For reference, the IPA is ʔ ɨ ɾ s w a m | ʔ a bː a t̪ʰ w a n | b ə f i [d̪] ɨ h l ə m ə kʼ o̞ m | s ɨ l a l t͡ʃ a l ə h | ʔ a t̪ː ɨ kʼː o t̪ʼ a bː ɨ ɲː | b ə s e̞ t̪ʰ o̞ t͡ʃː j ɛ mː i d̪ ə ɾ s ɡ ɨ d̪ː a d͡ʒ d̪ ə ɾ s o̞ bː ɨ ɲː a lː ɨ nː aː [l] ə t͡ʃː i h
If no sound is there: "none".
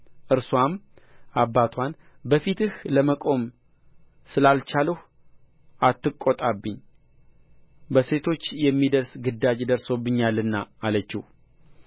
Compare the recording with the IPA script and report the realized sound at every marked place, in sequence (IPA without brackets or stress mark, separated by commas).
t̪, l